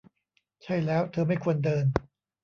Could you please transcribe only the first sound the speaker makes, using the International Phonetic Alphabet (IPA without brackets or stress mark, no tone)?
t͡ɕʰ